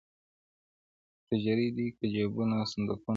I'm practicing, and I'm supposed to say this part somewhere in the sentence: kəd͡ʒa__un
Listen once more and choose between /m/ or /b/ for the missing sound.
b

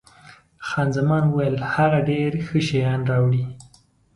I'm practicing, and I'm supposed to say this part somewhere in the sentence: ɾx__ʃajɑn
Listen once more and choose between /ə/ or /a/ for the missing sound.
ə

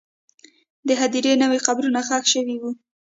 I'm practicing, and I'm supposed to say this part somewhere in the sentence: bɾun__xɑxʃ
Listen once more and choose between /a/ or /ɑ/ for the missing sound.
a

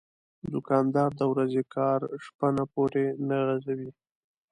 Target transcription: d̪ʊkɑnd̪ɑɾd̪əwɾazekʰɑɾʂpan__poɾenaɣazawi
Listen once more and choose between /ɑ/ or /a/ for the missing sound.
a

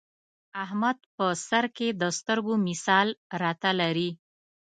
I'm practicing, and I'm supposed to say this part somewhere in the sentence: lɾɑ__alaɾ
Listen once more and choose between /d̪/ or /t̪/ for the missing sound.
t̪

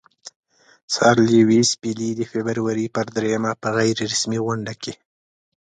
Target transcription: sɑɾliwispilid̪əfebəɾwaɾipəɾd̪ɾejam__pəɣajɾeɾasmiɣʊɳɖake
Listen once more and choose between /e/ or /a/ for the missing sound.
a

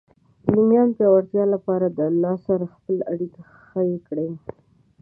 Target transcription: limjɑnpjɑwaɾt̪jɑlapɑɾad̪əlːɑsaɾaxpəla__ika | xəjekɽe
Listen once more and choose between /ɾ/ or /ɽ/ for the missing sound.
ɽ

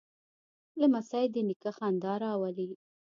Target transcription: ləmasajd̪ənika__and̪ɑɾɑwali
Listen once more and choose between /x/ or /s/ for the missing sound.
x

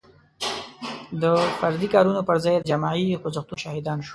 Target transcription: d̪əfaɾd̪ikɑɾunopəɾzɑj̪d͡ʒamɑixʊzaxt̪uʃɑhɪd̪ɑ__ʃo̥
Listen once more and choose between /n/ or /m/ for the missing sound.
n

